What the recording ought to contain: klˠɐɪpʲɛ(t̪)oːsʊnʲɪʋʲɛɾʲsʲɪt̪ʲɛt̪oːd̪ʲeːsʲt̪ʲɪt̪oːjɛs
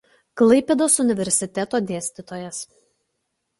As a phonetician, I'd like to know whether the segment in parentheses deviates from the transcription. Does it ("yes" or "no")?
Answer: yes